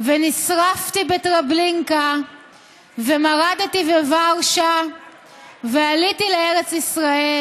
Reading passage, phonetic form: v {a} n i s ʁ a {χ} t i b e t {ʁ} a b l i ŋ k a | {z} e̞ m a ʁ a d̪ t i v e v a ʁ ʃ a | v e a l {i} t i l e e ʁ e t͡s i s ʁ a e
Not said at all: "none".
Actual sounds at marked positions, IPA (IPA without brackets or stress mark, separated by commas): e, f, ʁ, v, i